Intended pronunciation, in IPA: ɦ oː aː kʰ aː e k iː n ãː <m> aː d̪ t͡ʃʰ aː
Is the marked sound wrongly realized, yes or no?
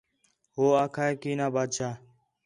yes